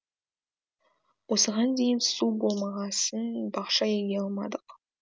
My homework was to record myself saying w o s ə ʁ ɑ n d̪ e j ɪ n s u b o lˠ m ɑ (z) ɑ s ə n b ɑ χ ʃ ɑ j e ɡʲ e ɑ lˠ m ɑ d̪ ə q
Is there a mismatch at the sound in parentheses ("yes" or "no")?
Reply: yes